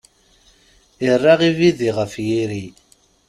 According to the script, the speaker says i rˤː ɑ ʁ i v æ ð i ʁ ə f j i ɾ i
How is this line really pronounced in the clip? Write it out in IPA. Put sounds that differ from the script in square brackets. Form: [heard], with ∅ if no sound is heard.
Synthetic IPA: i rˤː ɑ ʁ i v [i] ð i ʁ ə f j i ɾ i